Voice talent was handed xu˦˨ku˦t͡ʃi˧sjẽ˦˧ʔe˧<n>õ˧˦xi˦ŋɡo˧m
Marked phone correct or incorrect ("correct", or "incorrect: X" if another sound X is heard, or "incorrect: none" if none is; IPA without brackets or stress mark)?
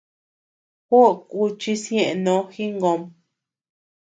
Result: correct